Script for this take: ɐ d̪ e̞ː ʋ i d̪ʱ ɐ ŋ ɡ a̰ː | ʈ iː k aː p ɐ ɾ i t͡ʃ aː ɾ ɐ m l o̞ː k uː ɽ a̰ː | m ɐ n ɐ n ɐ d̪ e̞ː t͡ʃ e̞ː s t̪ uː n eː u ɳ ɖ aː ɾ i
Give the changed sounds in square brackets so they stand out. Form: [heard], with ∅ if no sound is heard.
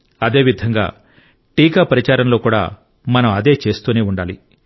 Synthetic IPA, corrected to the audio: ɐ d̪ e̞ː ʋ i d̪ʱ ɐ ŋ ɡ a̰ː | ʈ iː k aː p ɐ ɾ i t͡ʃ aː ɾ ɐ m l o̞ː k uː ɽ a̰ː | m ɐ n ɐ [m] ɐ d̪ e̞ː t͡ʃ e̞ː s t̪ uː n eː u ɳ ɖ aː [l] i